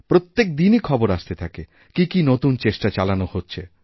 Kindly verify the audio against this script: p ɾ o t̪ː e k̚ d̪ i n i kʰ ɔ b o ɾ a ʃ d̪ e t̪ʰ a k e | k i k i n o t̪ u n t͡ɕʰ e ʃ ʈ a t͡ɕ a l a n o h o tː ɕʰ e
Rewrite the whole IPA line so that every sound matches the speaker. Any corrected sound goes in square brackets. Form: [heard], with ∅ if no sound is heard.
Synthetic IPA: p ɾ o t̪ː e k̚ d̪ i n i kʰ ɔ b o ɾ a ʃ [t̪] e t̪ʰ a k e | k i k i n o t̪ u n [t͡ɕ] e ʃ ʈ a t͡ɕ a l a n o h o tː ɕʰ e

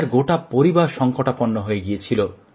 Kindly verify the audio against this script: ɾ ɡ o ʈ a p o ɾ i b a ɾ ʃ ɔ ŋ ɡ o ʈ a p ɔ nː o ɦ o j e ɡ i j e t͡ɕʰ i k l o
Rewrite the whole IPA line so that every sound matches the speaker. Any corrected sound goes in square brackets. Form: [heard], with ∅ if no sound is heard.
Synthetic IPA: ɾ ɡ o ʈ a p o ɾ i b a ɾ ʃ ɔ ŋ [k] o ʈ a p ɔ nː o ɦ o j e ɡ i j e t͡ɕʰ i [∅] l o

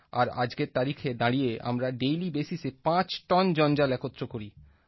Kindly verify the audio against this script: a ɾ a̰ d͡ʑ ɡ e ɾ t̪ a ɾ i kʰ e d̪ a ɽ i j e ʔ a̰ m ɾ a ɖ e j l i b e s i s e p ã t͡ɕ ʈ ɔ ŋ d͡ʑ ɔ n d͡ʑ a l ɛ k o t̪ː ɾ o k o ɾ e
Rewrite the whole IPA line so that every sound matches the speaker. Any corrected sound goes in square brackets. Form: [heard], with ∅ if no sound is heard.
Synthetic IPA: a ɾ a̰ d͡ʑ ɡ e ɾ t̪ a ɾ i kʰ e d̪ a ɽ i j e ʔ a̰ m ɾ a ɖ e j l i b e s i s e p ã t͡ɕ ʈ ɔ [n] d͡ʑ ɔ n d͡ʑ a l ɛ k o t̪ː ɾ o k o ɾ [i]

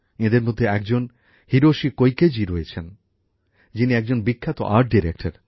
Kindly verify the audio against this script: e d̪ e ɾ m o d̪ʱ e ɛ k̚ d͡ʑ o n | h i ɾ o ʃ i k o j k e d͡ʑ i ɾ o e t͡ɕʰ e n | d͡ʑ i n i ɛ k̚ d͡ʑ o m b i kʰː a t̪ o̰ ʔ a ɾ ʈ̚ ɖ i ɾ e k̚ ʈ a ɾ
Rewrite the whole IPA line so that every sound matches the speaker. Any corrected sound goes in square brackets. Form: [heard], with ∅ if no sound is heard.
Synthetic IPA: e d̪ e ɾ m o [d̪ʱː] e ɛ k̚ d͡ʑ o n | h i ɾ o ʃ i k o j k e d͡ʑ i ɾ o e t͡ɕʰ e n | d͡ʑ i n i ɛ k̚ d͡ʑ o [n] b i kʰː a t̪ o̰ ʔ a ɾ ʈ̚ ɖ i ɾ e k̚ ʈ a ɾ

